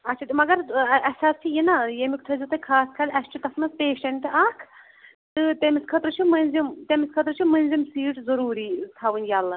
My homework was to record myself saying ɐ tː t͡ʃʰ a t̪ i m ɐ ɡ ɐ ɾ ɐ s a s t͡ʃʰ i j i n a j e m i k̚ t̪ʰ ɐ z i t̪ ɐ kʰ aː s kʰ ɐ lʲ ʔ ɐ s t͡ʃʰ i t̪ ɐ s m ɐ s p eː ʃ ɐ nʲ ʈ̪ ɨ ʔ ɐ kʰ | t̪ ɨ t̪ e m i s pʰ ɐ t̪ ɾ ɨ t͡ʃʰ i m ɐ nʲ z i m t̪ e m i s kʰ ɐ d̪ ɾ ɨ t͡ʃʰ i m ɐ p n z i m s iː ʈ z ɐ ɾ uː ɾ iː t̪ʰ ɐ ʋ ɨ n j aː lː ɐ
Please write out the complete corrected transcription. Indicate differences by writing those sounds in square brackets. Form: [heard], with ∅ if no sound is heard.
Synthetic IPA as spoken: ɐ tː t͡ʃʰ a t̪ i m ɐ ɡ ɐ ɾ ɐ s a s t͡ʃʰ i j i n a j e m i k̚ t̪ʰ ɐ z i t̪ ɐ kʰ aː s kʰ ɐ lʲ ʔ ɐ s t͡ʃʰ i t̪ ɐ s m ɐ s p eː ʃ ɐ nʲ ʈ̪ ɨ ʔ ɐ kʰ | t̪ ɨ t̪ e m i s [kʰ] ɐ t̪ ɾ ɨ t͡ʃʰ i m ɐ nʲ z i m t̪ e m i s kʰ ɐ [t̪] ɾ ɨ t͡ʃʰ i m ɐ [∅] n z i m s iː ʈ z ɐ ɾ uː ɾ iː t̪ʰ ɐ ʋ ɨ n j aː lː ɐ